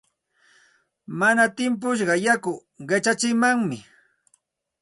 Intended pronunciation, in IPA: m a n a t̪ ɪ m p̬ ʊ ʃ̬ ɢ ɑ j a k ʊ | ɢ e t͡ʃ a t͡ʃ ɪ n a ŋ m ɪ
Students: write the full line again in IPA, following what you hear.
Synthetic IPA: m a n a t̪ ɪ m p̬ ʊ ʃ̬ ɢ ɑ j a k ʊ | ɢ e t͡ʃ a t͡ʃ ɪ m a ŋ m ɪ